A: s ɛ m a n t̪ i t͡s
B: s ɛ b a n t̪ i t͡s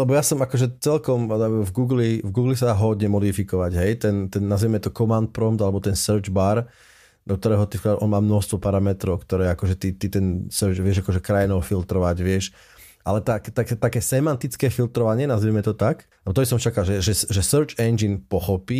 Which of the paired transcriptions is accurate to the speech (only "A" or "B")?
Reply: A